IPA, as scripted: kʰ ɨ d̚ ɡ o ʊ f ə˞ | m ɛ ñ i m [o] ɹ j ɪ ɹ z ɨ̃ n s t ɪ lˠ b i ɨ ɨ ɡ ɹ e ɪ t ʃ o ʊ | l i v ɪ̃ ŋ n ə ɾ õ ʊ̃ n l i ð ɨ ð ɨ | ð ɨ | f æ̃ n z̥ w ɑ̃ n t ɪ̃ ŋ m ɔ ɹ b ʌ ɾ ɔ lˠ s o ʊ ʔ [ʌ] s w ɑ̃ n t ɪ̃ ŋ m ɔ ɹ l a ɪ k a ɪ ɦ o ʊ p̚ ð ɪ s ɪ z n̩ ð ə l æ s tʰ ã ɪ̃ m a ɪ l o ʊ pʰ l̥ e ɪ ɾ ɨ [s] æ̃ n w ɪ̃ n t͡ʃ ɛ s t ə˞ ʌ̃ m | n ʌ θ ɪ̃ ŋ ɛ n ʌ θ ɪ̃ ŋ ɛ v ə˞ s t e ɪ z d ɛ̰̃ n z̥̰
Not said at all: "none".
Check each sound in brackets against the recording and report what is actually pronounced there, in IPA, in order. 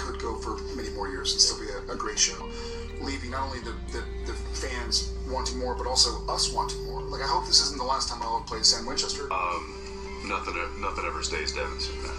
ɔ, ʌ, s

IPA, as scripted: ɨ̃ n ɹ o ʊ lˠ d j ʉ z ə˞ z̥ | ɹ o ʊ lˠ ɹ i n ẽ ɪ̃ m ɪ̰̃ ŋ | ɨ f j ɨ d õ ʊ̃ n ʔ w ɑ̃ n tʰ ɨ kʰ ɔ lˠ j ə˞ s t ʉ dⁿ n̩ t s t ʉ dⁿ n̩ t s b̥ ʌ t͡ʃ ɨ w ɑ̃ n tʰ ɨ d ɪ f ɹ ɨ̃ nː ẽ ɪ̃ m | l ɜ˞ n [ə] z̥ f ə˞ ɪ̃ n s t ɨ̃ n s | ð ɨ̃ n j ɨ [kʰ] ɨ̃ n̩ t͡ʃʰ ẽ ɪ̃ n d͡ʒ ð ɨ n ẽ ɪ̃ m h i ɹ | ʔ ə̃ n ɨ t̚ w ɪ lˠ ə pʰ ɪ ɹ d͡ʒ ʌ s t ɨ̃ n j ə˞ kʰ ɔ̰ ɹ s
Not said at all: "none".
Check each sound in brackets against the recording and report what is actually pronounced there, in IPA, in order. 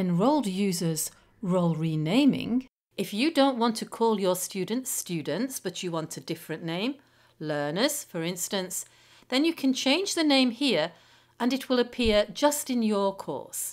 ə, kʰ

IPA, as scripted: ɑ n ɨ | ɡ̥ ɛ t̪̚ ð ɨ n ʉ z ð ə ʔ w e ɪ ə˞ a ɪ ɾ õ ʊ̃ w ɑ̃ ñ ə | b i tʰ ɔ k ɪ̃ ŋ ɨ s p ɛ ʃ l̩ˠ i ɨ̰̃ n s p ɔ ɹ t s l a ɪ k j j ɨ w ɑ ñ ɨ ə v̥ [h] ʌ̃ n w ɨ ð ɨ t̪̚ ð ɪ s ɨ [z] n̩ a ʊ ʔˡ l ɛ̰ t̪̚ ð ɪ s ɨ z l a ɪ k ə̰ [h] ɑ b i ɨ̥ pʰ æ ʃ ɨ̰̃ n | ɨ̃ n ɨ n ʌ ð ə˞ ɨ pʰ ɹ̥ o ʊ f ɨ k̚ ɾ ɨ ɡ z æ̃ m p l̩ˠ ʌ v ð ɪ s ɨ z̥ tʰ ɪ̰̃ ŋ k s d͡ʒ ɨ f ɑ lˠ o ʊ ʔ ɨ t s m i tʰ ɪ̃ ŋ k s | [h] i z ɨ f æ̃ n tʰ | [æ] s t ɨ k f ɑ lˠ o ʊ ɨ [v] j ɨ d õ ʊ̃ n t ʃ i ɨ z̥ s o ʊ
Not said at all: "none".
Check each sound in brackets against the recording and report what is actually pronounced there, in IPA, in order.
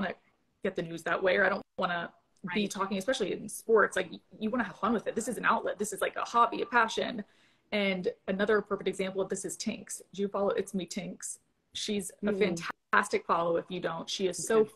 f, z, h, ʃ, æ, f

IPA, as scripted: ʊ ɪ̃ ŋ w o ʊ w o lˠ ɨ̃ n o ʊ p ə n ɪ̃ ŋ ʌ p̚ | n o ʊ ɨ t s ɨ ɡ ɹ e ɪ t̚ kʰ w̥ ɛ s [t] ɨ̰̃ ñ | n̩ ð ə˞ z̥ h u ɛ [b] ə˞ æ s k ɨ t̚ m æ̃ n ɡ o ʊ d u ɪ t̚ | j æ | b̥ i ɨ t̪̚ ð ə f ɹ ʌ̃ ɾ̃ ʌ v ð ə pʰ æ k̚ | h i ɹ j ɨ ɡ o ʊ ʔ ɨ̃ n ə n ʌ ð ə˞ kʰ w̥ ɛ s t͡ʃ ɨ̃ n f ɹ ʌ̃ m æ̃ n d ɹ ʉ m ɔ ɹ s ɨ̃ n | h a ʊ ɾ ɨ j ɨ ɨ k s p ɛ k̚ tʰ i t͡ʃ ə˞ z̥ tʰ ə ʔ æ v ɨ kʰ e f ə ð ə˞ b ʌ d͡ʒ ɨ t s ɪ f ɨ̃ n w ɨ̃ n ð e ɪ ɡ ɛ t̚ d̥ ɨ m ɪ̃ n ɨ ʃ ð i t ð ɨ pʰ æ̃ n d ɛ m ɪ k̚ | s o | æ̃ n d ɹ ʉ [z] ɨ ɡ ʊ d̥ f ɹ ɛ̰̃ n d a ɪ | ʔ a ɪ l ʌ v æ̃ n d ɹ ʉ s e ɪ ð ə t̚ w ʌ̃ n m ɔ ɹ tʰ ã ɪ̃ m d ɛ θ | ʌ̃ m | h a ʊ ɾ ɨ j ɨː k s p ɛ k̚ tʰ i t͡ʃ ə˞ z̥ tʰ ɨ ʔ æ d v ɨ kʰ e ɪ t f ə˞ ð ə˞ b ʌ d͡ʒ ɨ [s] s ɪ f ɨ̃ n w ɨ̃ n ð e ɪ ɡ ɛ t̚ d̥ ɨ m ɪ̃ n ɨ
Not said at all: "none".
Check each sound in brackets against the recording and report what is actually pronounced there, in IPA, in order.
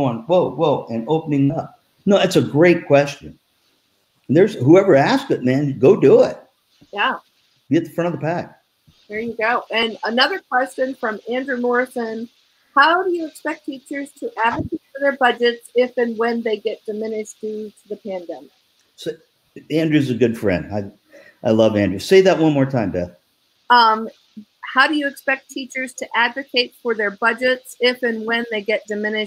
t͡ʃ, v, z, t

